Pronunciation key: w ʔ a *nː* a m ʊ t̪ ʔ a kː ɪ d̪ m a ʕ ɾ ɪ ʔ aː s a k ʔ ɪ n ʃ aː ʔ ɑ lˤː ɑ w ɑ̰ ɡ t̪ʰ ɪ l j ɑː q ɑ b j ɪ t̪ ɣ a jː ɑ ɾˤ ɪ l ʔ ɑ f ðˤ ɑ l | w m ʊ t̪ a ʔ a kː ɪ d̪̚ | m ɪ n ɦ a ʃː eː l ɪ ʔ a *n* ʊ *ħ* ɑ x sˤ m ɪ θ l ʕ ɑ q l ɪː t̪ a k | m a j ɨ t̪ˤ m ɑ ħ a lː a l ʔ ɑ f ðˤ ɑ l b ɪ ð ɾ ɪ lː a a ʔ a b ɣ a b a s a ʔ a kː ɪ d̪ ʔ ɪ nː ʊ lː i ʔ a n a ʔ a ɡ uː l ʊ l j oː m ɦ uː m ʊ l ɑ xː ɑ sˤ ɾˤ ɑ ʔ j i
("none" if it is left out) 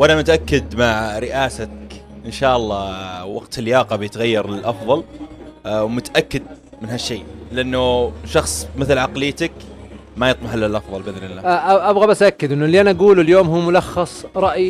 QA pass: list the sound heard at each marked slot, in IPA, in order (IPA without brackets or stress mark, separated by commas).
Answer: n, nː, ʃ